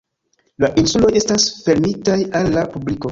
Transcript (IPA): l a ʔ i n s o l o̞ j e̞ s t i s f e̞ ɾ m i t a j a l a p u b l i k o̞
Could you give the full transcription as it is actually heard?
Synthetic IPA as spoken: l a ʔ i n s u l o̞ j e̞ s t a s f e̞ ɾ m i t a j a lː a p u b l i k o̞